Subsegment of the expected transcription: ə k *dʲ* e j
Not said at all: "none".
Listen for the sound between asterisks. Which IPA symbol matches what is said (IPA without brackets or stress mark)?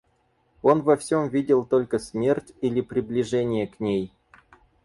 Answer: nʲ